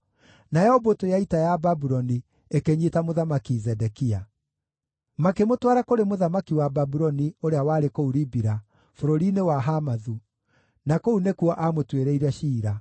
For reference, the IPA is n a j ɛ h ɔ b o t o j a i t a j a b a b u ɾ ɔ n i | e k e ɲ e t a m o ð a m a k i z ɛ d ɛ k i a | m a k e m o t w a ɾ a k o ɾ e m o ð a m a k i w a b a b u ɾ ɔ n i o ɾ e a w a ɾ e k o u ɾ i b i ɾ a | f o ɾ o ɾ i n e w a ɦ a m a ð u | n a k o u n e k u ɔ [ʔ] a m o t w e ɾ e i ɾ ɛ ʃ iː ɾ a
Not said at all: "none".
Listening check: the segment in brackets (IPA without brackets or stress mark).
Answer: ʔ